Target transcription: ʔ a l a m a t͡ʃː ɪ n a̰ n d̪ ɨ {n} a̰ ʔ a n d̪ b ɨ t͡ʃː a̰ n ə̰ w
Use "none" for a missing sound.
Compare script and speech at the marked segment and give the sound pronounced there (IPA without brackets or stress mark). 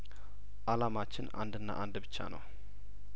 nː